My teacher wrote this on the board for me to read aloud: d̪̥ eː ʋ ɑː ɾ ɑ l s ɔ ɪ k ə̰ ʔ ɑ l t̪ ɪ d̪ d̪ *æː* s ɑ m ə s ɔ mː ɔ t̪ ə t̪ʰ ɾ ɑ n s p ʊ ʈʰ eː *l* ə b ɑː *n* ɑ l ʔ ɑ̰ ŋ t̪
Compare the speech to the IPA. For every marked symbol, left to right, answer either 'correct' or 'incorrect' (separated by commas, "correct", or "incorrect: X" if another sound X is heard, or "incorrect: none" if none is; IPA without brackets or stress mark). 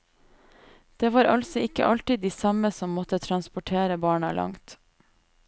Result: incorrect: iː, incorrect: ɾ, incorrect: ɳ